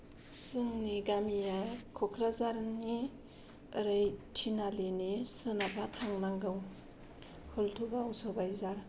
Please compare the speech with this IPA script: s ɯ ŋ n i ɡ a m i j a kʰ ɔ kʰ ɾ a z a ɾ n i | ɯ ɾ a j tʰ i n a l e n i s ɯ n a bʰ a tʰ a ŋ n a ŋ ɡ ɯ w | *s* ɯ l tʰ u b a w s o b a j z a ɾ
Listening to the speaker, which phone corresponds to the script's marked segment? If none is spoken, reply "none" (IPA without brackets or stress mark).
h